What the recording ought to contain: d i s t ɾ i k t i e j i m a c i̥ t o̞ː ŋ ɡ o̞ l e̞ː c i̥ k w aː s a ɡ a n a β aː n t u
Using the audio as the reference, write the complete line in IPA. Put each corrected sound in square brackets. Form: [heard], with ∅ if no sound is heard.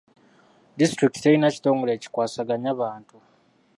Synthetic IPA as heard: d i s t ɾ i k t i e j i [n] a c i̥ t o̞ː ŋ ɡ o̞ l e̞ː c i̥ k w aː s a ɡ a [ɲ] a β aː n t u